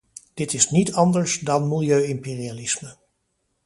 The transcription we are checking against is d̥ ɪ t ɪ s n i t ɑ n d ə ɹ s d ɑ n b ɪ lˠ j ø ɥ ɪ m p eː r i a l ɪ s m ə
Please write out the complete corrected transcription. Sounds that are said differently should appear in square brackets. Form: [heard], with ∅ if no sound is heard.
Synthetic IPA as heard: d̥ ɪ t ɪ s n i t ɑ n d ə ɹ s d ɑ n [m] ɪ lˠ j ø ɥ ɪ m p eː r i a l ɪ s m ə